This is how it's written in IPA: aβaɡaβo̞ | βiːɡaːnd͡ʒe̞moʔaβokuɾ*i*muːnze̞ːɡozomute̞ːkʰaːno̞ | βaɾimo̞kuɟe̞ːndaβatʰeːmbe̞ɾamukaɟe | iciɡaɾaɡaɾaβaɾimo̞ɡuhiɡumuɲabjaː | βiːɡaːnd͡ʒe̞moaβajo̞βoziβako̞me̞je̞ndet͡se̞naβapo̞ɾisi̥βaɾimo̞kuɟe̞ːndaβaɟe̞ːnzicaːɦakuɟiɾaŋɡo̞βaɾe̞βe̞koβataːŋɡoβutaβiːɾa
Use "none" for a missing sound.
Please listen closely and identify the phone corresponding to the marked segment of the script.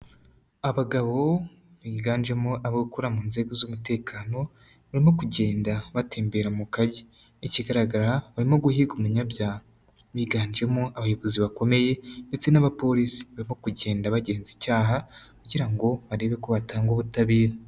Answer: a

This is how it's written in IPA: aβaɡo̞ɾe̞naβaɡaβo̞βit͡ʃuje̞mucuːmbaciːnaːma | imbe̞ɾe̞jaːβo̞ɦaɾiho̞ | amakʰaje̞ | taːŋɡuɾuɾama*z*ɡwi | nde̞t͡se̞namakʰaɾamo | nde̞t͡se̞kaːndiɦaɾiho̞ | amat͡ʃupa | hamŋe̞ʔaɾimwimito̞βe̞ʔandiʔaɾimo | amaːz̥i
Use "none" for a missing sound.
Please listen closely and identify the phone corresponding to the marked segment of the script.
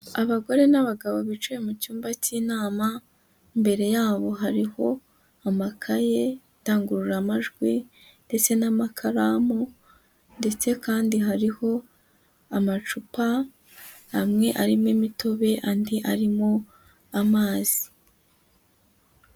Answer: ʒ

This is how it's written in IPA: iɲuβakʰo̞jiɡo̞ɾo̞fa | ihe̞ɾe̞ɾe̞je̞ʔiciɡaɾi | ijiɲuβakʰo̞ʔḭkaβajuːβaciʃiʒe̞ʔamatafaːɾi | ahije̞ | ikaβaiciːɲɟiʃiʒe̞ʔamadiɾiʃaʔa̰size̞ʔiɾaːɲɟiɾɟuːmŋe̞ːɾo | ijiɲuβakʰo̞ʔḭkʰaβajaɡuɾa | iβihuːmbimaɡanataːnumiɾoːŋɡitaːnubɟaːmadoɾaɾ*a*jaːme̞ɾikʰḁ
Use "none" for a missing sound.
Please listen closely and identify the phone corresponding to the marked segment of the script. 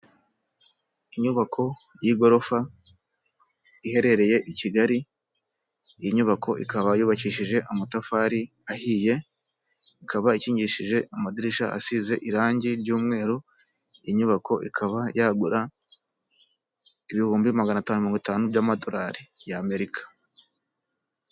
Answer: i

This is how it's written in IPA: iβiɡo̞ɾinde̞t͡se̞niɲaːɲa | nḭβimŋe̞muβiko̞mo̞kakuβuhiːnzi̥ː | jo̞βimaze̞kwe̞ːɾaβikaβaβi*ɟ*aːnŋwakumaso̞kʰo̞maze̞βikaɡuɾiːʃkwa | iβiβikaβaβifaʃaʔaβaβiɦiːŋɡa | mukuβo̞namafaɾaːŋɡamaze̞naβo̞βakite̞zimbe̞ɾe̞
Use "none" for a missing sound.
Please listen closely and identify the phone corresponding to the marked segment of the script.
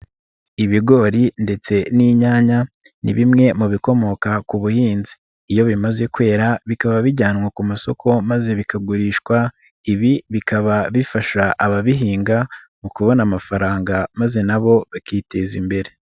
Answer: ɟ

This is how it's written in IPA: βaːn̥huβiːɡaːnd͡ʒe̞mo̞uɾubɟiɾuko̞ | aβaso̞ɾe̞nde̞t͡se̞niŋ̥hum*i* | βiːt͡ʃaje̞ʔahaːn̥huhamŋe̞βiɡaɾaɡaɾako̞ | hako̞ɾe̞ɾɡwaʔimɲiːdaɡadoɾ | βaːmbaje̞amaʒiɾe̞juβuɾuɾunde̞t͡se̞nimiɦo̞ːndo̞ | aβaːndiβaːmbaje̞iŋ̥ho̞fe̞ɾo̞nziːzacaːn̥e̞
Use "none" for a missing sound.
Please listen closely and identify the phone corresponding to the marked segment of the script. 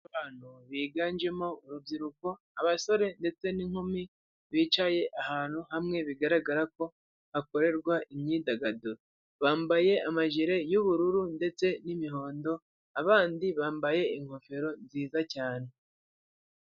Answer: i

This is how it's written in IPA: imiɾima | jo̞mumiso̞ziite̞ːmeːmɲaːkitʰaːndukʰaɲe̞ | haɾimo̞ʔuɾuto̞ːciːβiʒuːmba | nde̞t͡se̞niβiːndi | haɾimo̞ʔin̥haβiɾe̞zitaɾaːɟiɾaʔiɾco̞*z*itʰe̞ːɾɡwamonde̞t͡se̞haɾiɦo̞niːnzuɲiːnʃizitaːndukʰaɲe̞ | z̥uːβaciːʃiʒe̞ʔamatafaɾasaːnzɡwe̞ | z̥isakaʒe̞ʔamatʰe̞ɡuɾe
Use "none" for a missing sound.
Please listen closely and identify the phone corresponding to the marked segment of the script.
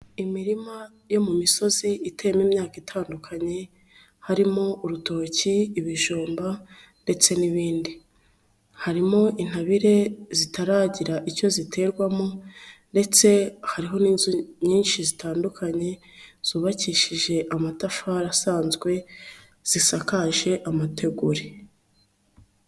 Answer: z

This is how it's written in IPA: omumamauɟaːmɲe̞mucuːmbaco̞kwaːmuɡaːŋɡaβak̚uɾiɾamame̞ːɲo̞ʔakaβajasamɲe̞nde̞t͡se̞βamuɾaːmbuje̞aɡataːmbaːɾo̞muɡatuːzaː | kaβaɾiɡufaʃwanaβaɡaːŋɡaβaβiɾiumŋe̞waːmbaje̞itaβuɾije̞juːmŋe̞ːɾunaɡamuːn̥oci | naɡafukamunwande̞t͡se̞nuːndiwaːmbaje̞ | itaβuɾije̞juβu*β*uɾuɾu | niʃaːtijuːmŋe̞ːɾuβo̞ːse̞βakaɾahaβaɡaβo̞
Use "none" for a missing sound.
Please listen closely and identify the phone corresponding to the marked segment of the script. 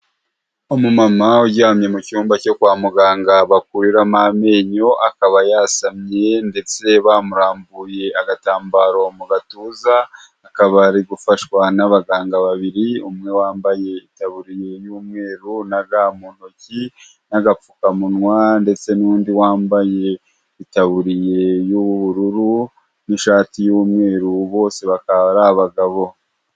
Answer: β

